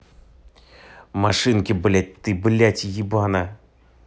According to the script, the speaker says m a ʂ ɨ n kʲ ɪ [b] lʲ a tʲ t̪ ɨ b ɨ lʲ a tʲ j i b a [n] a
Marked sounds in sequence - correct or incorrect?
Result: correct, correct

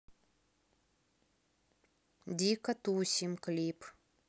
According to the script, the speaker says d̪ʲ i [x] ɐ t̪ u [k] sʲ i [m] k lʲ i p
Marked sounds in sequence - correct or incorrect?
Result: incorrect: k, incorrect: none, correct

